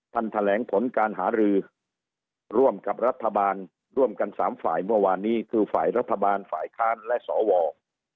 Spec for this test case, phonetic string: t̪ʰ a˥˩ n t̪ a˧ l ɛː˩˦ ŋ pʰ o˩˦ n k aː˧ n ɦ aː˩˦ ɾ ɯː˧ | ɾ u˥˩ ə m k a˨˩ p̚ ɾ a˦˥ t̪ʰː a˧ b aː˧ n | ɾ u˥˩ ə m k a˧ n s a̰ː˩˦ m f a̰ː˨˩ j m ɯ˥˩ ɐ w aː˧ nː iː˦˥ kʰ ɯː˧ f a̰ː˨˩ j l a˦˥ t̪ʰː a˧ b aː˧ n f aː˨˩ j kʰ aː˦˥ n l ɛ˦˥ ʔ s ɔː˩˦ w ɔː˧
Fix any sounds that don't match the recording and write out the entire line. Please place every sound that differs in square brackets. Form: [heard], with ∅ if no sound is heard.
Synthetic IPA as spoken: t̪ʰ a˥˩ n [t̪ʰ] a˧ l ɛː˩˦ ŋ pʰ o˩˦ n k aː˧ n ɦ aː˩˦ ɾ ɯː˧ | ɾ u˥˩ ə m k a˨˩ p̚ ɾ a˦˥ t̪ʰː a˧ b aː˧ n | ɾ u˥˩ ə m k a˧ n s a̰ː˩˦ m f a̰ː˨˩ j m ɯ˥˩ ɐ w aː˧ nː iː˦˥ kʰ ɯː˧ f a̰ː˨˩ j [ɾ] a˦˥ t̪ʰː a˧ b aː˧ n f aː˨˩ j kʰ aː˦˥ n l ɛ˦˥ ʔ s ɔː˩˦ w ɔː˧